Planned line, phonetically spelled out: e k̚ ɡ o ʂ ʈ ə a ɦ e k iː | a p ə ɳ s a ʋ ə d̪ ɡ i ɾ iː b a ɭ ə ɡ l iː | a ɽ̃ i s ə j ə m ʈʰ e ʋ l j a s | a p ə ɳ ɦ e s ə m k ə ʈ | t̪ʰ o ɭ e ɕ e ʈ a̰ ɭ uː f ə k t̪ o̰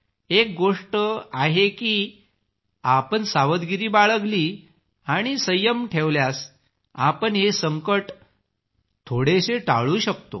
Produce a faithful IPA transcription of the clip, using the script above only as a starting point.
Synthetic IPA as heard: e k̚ ɡ o ʂ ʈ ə a ɦ e k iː | a p ə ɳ s a ʋ ə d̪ ɡ i ɾ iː b a ɭ ə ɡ l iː | a ɽ̃ i s ə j ə m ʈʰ e ʋ l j a s | a p ə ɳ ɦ e s ə ŋ k ə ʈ | t̪ʰ o ɽ e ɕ e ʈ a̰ ɭ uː ɕ ə k t̪ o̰